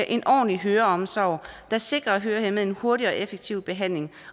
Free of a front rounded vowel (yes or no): no